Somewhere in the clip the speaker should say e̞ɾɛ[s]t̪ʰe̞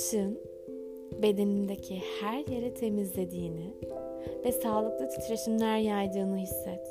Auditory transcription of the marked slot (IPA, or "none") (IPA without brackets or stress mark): none